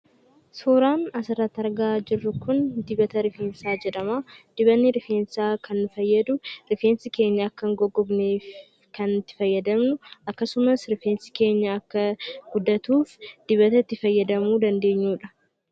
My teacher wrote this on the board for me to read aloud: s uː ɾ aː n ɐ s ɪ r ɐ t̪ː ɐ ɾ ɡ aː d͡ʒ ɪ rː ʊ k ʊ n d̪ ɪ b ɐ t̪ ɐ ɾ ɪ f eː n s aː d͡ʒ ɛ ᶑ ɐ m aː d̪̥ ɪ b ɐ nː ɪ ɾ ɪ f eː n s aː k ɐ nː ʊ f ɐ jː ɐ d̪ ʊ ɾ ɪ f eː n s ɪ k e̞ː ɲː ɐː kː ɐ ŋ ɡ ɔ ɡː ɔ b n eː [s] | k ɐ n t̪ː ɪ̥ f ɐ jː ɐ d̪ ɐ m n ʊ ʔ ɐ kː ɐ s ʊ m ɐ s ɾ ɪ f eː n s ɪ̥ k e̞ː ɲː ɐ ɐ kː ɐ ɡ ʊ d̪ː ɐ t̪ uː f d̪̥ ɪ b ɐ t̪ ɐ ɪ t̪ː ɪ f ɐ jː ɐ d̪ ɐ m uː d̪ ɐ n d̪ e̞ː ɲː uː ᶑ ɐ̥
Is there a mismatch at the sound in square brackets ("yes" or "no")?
yes